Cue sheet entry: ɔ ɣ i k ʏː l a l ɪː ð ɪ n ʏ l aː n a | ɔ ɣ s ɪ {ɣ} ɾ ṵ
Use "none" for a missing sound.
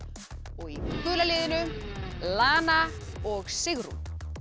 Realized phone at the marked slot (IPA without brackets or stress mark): ɣ